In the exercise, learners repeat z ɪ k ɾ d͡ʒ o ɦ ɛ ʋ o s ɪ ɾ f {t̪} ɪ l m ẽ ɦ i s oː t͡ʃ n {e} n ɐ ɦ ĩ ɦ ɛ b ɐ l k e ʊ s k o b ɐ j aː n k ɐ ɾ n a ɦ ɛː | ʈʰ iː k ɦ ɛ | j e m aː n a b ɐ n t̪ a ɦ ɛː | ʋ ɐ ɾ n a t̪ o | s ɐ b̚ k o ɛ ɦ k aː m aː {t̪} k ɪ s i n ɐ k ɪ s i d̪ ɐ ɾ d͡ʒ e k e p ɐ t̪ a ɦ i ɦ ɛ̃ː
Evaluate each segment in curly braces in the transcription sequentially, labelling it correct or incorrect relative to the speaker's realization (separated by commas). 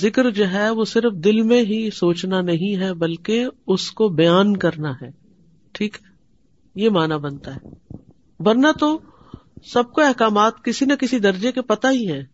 incorrect, incorrect, correct